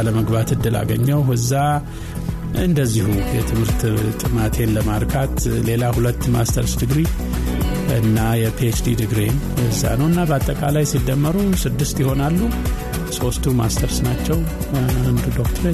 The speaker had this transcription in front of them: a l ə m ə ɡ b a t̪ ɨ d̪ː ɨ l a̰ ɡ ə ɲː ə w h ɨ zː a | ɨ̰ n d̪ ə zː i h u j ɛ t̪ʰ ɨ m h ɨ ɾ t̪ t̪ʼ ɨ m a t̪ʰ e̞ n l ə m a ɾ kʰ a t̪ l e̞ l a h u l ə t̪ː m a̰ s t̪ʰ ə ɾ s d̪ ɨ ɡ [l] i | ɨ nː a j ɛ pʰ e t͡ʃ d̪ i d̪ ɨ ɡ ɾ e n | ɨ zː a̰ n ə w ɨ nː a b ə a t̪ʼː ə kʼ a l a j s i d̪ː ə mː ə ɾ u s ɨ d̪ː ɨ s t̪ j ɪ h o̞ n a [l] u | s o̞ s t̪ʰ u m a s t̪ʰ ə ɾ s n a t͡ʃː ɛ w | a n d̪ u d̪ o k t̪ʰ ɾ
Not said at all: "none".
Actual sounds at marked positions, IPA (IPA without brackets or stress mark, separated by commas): ɾ, lː